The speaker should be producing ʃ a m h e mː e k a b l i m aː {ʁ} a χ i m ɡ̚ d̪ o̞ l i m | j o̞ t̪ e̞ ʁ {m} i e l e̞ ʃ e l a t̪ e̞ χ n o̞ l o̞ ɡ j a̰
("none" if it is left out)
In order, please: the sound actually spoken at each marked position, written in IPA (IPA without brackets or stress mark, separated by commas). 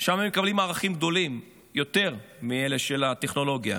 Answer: ʁ, m